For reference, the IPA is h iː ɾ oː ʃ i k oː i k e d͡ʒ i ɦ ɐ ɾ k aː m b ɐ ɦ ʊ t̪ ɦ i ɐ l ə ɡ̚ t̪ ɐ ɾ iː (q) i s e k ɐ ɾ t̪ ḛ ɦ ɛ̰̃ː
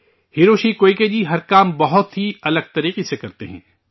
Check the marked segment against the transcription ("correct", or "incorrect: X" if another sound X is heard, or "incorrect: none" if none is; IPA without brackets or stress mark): correct